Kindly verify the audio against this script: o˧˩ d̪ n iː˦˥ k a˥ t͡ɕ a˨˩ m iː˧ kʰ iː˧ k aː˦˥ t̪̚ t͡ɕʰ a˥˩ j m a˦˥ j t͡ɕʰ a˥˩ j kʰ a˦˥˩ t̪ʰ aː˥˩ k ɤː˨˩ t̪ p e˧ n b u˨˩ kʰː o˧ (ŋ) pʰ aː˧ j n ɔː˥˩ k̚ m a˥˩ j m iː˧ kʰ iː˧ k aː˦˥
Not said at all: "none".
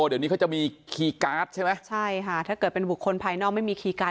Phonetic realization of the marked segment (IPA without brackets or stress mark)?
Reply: n